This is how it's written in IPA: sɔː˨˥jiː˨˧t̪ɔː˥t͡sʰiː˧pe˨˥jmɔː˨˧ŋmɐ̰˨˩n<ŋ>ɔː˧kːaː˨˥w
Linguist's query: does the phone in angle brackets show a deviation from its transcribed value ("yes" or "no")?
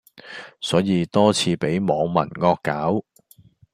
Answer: no